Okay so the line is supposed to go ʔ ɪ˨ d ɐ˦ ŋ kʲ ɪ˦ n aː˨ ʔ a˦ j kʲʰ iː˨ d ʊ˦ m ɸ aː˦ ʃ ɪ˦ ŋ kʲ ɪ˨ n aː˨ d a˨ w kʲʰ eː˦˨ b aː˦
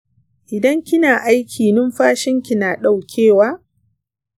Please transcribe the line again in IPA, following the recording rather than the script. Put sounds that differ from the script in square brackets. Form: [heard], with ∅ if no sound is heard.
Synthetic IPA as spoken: ʔ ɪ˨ d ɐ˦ ŋ kʲ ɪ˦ n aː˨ ʔ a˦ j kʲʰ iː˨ [n] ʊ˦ m ɸ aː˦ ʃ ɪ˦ ŋ kʲ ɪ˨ n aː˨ [ɗ] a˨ w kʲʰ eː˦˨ [w] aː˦